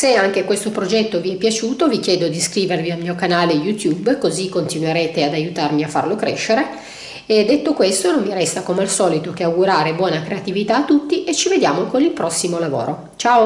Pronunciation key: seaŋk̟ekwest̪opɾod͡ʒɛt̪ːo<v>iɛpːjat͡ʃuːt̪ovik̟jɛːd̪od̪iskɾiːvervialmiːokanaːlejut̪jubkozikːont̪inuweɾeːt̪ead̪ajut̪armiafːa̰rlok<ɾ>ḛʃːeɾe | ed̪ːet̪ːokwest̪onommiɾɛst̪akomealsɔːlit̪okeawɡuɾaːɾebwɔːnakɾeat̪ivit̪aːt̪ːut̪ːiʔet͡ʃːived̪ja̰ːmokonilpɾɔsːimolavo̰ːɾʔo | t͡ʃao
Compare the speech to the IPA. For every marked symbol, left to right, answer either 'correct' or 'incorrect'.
correct, correct

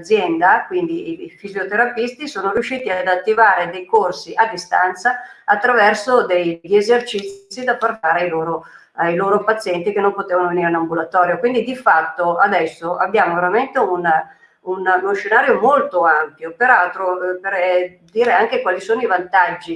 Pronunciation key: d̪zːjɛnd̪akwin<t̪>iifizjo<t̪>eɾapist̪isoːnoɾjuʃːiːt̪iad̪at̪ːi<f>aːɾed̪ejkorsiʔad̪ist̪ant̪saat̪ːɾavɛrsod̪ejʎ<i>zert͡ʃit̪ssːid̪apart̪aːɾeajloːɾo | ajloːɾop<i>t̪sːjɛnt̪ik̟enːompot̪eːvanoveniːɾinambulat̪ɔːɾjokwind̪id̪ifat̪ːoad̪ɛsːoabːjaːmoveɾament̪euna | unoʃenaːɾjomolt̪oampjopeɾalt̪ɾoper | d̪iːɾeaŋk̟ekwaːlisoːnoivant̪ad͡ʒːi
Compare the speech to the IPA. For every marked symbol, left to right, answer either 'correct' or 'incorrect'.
incorrect: d̪, correct, incorrect: v, incorrect: e, incorrect: a

